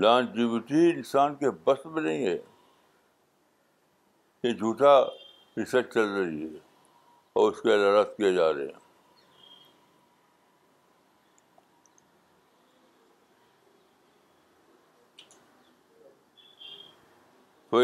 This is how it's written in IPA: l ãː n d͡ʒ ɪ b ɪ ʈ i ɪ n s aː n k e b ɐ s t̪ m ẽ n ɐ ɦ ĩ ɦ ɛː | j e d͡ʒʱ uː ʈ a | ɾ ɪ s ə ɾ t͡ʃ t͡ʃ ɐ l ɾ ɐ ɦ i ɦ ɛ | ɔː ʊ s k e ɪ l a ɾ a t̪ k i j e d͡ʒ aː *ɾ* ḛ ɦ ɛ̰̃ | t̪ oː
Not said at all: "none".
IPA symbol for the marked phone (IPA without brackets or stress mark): ɾ